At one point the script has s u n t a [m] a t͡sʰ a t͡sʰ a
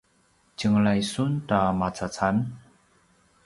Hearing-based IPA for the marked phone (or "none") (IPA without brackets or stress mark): m